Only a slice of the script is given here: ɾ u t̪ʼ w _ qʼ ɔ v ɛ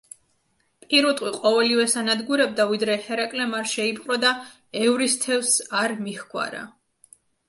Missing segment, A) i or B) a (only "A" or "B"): A